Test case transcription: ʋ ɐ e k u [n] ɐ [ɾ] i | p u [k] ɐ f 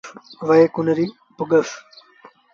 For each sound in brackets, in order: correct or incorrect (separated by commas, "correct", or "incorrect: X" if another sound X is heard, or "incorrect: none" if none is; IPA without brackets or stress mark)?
correct, correct, incorrect: ɡ